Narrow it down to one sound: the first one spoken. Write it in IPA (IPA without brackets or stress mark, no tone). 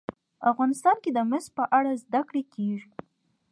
a